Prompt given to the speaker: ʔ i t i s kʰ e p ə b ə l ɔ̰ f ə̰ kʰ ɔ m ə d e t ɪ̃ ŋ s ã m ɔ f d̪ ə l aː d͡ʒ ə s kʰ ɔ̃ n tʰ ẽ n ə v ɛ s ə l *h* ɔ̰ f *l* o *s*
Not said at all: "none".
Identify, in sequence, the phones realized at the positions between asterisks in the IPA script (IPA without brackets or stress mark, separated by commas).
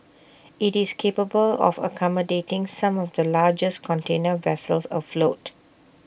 s, l, t